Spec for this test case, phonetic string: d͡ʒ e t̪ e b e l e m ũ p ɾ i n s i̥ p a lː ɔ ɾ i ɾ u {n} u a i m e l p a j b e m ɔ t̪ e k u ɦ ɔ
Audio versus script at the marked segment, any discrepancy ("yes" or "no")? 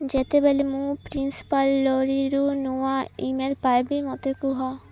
no